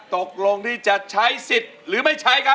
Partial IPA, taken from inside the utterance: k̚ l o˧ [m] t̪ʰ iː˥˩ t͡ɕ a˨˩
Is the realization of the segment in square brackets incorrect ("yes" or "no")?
yes